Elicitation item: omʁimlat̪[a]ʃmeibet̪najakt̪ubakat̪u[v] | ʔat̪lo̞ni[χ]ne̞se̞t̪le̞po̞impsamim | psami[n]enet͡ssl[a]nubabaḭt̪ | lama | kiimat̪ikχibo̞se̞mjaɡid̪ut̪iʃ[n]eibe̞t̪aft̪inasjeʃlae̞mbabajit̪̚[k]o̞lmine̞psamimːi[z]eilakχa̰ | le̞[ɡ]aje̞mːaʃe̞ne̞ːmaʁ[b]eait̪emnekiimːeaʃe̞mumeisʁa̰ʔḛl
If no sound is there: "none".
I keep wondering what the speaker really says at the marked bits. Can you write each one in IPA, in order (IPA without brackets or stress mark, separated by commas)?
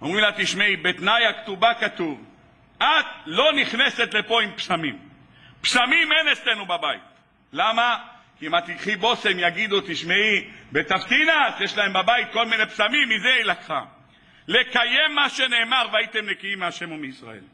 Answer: i, v, χ, m, e, m, k, z, k, v